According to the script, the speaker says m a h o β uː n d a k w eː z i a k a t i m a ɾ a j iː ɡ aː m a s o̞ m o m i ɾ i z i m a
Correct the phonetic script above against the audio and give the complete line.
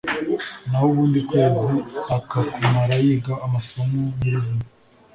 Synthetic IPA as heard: n a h o β uː n d i k w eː z i a k a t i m a ɾ a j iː ɡ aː m a s o̞ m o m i ɾ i z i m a